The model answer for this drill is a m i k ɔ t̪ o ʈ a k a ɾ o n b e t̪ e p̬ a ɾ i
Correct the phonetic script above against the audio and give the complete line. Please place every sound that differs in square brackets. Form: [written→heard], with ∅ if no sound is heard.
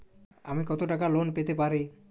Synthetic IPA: a m i k ɔ t̪ o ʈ a k a [ɾ→l] o n [b→p] e t̪ e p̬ a ɾ i

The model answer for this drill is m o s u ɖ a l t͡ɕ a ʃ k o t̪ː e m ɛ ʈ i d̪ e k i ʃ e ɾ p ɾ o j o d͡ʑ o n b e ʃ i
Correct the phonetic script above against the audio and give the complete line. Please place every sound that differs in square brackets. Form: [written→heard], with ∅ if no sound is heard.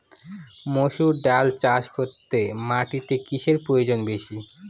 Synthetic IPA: m o [s→ʃ] u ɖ a l t͡ɕ a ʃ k o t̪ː e m [ɛ→a] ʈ i [d̪→t̪] e k i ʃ e ɾ p ɾ o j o d͡ʑ o n b e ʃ i

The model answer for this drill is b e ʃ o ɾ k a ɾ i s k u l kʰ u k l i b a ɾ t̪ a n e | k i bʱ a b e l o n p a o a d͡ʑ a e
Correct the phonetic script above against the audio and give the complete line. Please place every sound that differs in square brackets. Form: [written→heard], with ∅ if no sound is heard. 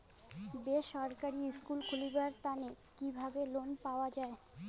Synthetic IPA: b e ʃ [o→ɔ] ɾ k a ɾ i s k u l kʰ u [k→∅] l i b a ɾ t̪ a n e | k i bʱ a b e l o n p a o a d͡ʑ a e

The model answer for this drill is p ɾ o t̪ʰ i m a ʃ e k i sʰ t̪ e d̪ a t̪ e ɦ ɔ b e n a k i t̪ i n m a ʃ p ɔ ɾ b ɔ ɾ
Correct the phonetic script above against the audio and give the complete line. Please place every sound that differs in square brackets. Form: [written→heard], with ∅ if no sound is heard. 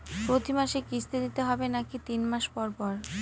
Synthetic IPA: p ɾ o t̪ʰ i m a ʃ e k i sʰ t̪ e d̪ [a→i] t̪ e ɦ ɔ b e n a k i t̪ i n m a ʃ p ɔ ɾ [b→p] ɔ ɾ

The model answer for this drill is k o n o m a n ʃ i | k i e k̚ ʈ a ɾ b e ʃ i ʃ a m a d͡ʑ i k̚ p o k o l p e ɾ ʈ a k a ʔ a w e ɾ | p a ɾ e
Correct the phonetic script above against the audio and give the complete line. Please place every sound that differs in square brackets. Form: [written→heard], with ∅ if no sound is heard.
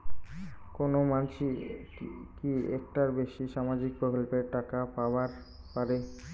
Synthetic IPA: k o n o m a n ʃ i | k i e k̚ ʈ a ɾ b e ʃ i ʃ a m a d͡ʑ i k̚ p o k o l p e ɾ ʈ a k a [ʔ→p] a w [e→a] ɾ | p a ɾ e

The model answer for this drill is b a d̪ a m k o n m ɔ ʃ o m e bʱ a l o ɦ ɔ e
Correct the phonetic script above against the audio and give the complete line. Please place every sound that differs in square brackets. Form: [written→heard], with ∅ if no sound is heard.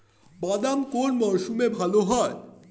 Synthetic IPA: b a d̪ a m k o n m ɔ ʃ [o→u] m e bʱ a l o ɦ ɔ e

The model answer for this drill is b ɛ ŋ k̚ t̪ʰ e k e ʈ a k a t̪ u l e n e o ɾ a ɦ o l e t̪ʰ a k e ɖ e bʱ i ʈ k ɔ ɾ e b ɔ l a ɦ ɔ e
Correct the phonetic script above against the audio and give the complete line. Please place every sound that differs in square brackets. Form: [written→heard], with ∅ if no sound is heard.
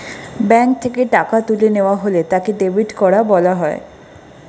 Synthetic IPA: b ɛ ŋ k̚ t̪ʰ e k e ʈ a k a t̪ u l e n e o [ɾ→∅] a ɦ o l e [t̪ʰ→t̪] a k e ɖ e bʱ i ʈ k ɔ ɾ [e→a] b ɔ l a ɦ ɔ e

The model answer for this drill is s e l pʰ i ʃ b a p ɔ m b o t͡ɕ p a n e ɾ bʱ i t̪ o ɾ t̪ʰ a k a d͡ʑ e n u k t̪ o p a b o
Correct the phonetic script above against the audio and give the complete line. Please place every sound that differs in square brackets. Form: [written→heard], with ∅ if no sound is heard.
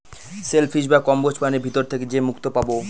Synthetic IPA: s e l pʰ i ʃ b a [p→k] ɔ m b o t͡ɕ p a n e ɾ bʱ i t̪ o ɾ t̪ʰ [a→e] k [a→e] d͡ʑ e [n→m] u k t̪ o p a b o

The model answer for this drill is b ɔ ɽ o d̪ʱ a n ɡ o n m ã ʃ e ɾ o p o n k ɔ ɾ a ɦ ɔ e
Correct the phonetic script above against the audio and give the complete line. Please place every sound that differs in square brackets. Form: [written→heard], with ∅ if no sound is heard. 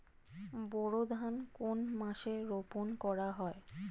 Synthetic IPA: b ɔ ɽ o d̪ʱ a n [ɡ→k] o n m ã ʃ e ɾ o p o n k ɔ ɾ a ɦ ɔ e

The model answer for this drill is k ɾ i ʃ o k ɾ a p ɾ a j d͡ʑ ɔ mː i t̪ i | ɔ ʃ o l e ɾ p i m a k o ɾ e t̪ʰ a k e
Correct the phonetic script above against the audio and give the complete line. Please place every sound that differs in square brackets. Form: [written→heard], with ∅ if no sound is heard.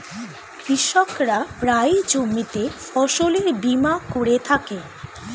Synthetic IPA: k ɾ i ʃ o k ɾ a p ɾ a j d͡ʑ [ɔ→o] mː i t̪ [i→e] | ɔ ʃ o l e ɾ [p→b] i m a k o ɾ e t̪ʰ a k e

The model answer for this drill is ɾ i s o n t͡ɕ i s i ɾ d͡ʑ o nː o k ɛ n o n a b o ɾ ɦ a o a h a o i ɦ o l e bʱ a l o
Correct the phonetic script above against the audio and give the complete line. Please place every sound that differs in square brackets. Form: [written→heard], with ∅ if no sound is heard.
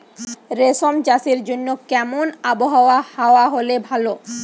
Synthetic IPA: ɾ [i→e] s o [n→m] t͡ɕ [i→a] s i ɾ d͡ʑ o nː o k ɛ [n→m] o n a b o [ɾ→∅] ɦ a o a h a o [i→a] ɦ o l e bʱ a l o

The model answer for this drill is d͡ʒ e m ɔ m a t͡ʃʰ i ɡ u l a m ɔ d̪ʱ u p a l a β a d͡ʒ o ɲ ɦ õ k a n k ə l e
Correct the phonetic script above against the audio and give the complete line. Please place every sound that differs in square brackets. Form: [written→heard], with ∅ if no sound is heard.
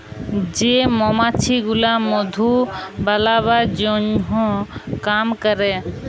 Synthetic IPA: d͡ʒ e m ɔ m a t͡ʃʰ i ɡ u l a m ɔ d̪ʱ u [p→b] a l a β a d͡ʒ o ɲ ɦ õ k a [n→m] k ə [l→ɾ] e

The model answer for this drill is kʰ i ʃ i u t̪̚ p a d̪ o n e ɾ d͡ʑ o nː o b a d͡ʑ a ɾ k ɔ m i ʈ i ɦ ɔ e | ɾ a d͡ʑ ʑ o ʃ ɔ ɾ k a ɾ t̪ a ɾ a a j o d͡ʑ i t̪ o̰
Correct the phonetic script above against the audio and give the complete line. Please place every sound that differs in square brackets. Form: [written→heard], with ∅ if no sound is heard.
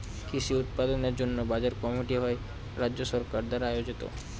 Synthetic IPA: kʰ i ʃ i u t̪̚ p a d̪ o n e ɾ d͡ʑ o nː o b a d͡ʑ a ɾ k ɔ m i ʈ i ɦ ɔ e | ɾ a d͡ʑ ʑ o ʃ ɔ ɾ k a ɾ [t̪→d̪] a ɾ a a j o d͡ʑ i t̪ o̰

